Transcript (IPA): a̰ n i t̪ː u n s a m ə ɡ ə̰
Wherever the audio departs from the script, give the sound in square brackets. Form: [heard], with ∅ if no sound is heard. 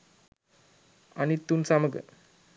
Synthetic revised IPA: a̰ n i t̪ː u n s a m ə ɡ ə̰